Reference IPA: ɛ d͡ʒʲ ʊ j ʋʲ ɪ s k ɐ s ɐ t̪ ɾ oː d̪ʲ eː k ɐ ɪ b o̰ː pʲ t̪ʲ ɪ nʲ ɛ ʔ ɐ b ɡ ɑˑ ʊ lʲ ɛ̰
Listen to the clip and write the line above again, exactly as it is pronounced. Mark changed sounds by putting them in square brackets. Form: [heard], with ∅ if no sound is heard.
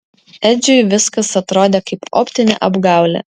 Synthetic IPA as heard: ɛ d͡ʒʲ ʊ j ʋʲ ɪ s k ɐ s ɐ t̪ ɾ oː d̪ʲ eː k ɐ ɪ [p] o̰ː pʲ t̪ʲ ɪ nʲ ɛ ʔ ɐ b ɡ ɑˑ ʊ lʲ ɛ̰